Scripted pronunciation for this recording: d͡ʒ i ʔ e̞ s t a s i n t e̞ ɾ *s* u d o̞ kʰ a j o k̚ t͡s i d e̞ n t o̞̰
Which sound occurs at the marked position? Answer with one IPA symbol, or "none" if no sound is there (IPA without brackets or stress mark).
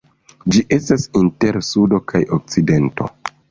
s